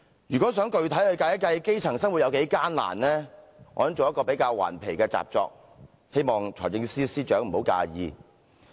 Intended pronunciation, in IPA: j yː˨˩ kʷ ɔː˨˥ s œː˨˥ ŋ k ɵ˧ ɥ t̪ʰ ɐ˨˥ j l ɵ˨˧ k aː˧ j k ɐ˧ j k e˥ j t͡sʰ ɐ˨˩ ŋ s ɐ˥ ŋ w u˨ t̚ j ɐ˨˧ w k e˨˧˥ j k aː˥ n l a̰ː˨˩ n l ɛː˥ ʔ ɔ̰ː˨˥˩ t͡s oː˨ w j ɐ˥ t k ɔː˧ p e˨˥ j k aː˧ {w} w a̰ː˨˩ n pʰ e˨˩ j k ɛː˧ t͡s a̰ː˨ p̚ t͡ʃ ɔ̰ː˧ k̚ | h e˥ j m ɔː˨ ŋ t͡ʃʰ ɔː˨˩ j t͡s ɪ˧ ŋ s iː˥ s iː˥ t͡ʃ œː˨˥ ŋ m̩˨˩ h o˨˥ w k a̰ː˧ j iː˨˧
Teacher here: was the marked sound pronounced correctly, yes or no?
yes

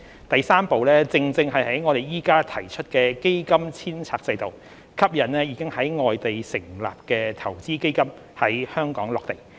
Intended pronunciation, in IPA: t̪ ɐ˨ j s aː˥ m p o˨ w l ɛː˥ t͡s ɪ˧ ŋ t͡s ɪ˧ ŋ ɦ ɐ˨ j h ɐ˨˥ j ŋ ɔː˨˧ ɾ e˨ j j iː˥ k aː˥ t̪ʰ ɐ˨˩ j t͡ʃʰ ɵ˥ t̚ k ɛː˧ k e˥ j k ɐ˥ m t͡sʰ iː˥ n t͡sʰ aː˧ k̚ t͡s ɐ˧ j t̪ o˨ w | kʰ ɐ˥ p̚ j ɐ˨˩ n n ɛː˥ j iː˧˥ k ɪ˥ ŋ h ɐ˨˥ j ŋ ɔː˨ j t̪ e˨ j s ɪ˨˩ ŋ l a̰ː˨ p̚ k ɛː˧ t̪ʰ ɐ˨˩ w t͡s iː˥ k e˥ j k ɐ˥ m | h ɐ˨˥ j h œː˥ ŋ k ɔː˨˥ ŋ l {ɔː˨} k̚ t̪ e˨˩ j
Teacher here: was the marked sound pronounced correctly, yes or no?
yes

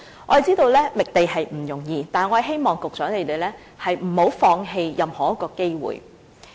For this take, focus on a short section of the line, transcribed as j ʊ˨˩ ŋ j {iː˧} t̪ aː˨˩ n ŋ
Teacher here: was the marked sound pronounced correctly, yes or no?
yes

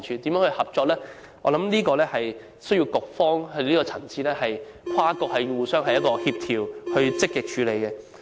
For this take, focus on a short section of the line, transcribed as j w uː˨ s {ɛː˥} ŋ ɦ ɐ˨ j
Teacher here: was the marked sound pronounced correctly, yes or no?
no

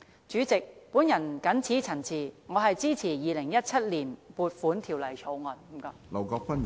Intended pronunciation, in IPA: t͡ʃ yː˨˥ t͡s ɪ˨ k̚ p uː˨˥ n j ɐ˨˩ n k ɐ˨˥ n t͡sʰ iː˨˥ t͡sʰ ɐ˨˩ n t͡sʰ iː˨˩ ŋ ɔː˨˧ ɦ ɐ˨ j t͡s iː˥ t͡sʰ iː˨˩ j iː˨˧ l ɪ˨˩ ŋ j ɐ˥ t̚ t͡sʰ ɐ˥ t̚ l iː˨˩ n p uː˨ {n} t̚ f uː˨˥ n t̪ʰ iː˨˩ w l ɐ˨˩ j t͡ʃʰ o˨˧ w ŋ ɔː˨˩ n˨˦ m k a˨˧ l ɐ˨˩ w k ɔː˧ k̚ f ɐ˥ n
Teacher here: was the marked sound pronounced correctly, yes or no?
no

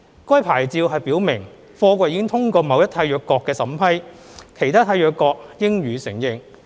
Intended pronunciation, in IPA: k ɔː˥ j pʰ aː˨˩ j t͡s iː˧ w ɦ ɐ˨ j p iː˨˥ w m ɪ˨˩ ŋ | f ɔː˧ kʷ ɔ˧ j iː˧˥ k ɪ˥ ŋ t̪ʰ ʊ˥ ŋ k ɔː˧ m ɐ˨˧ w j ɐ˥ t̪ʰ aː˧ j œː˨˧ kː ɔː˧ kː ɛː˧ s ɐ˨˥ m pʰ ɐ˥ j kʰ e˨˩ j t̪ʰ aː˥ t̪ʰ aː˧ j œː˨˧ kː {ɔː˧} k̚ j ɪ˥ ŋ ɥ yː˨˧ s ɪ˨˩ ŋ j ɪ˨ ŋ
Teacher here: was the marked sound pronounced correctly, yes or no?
yes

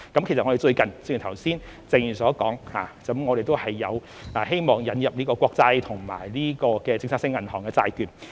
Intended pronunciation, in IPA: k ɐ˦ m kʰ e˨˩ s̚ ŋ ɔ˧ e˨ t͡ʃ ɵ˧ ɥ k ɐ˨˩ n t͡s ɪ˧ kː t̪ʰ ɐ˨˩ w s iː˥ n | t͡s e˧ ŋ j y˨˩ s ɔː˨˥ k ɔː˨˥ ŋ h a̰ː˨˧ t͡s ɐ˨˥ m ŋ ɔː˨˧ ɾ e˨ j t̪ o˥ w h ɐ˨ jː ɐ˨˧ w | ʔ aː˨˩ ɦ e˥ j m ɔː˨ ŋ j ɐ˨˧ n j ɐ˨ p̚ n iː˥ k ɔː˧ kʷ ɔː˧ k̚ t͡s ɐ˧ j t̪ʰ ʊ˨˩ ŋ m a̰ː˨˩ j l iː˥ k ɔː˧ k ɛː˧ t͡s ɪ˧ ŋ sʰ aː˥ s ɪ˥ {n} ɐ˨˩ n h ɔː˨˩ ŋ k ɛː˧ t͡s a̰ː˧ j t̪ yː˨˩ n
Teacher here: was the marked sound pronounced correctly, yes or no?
no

